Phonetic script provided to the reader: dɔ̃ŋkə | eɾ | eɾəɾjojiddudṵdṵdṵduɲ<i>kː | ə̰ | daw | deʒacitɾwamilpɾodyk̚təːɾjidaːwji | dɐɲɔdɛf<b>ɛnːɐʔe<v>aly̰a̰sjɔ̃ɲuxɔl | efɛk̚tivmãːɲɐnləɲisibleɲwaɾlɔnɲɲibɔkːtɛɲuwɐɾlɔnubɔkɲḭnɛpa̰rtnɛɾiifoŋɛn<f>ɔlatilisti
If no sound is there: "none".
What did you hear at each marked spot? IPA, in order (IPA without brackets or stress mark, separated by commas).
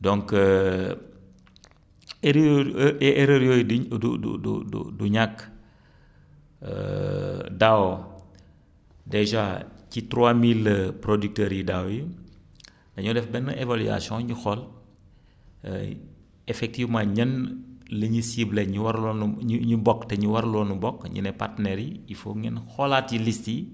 a, b, v, x